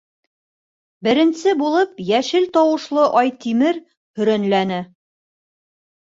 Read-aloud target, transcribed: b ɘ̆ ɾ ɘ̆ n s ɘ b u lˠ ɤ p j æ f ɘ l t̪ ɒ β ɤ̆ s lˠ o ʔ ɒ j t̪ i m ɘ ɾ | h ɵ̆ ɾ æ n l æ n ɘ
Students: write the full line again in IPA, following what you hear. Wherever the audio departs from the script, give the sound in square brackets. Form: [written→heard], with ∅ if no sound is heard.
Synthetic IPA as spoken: b ɘ̆ ɾ ɘ̆ n s ɘ b u lˠ ɤ p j æ [f→ʃ] ɘ l t̪ ɒ [β→w] ɤ̆ [s→ʃ] lˠ [o→ɤ] ʔ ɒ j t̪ i m ɘ ɾ | h ɵ̆ ɾ æ n l æ n ɘ